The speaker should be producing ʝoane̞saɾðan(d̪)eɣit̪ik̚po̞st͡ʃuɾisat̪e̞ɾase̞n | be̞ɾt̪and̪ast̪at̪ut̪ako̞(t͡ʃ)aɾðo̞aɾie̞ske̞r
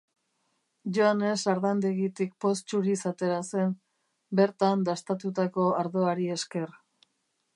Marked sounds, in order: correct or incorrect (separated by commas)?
correct, incorrect